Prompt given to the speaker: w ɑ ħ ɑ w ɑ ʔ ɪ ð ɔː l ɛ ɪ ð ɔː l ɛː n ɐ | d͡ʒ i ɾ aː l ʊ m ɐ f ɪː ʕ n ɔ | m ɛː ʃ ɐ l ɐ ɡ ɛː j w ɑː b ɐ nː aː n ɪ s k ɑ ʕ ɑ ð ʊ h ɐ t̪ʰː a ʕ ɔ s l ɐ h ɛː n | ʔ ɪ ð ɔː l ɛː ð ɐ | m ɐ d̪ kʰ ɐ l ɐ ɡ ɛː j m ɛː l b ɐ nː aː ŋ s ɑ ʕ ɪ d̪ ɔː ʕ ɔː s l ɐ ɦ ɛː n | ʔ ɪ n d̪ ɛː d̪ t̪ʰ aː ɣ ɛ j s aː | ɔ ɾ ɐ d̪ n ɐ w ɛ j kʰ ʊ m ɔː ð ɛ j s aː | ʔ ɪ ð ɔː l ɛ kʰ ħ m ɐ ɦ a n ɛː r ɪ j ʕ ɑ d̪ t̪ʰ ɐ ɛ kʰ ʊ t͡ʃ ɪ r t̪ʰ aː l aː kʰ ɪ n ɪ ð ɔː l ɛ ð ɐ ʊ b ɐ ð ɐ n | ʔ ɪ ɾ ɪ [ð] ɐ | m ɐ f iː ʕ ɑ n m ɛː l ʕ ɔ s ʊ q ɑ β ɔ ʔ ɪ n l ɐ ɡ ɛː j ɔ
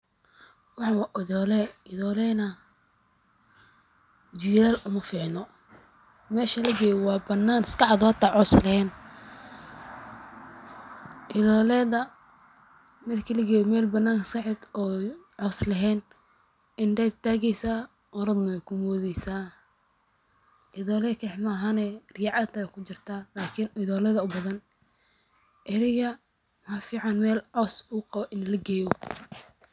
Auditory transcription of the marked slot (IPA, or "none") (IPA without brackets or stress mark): ɣ